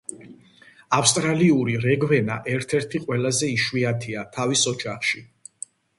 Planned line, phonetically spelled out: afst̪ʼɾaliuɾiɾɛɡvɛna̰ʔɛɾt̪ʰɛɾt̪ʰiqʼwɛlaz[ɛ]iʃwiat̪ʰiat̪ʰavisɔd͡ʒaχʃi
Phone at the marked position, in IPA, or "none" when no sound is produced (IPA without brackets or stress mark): ɛ